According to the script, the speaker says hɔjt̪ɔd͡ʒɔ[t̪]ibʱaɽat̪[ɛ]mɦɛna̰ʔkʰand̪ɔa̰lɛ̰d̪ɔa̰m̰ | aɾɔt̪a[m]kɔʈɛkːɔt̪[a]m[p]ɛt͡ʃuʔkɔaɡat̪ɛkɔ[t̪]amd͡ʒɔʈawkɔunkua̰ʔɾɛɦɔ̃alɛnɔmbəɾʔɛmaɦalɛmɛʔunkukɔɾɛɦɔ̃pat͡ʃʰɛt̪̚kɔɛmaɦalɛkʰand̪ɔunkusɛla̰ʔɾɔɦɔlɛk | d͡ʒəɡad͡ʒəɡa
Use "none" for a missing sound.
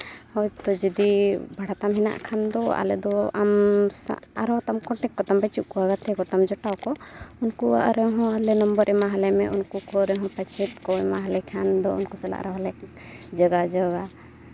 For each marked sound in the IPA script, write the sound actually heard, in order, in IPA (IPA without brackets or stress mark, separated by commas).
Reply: d̪, a, m, a, b, t̪